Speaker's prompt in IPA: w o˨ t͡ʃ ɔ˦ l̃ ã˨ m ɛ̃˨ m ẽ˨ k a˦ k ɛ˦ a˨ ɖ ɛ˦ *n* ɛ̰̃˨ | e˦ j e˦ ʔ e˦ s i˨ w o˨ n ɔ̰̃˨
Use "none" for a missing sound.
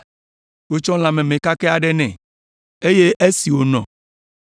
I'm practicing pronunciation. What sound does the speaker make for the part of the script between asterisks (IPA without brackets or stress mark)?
n